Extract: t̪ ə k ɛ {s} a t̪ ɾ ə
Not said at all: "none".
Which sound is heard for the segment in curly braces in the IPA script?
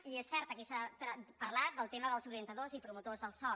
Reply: s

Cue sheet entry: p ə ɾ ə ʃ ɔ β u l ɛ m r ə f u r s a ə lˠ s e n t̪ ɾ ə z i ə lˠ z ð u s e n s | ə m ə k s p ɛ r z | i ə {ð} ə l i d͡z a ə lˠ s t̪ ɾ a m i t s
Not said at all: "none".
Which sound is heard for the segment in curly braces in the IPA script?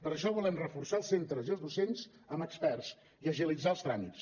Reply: ʒ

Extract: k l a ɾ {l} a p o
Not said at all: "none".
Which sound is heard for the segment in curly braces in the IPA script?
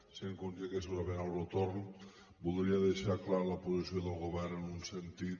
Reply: l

